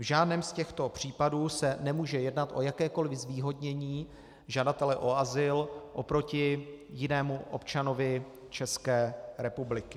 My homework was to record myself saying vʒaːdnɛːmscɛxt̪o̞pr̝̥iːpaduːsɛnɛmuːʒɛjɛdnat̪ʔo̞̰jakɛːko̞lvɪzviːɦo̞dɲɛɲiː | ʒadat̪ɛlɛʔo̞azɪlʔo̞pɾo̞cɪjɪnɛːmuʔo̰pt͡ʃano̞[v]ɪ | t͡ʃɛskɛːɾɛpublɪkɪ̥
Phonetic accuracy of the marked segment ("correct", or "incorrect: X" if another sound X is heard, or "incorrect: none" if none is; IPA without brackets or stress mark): correct